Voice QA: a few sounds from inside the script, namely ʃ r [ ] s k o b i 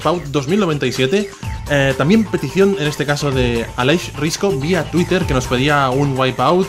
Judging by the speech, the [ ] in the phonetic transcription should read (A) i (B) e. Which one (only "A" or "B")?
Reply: A